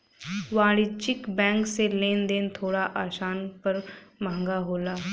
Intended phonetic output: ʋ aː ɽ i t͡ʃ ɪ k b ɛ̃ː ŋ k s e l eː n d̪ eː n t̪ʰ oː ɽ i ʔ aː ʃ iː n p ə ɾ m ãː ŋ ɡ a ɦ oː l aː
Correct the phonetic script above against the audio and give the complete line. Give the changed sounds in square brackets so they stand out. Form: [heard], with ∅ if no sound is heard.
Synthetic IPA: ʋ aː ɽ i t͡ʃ ɪ k b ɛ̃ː ŋ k s e l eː n d̪ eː n t̪ʰ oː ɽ [a] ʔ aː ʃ [aː] n p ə ɾ m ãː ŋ ɡ a ɦ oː l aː